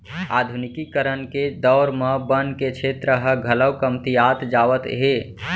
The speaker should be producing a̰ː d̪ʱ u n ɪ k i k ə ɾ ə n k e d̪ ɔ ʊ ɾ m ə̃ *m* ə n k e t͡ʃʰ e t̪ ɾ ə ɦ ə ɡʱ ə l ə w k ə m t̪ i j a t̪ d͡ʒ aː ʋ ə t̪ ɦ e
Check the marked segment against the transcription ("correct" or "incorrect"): incorrect